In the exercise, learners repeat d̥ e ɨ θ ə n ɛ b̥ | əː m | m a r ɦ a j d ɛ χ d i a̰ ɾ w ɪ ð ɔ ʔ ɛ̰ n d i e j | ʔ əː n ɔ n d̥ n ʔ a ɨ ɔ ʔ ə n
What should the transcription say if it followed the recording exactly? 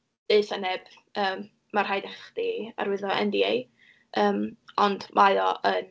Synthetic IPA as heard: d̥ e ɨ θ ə n ɛ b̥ | əː m | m a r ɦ a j d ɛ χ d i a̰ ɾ w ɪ ð ɔ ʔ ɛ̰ n d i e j | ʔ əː m ɔ n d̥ m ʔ a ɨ ɔ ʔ ə n